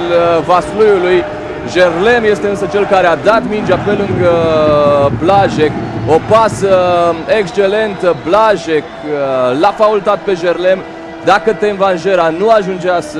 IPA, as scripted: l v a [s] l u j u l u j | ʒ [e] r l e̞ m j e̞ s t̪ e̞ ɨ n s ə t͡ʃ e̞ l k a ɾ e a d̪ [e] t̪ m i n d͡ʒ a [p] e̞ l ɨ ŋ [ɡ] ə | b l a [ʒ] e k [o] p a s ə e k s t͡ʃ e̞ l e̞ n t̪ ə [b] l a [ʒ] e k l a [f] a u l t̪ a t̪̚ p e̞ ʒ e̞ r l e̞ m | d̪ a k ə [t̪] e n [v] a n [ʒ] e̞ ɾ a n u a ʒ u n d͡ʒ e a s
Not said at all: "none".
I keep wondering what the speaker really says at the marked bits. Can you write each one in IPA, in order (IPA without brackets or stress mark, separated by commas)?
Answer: s, e, a, p, ɡ, ʒ, o, b, ʒ, f, t̪, v, ʒ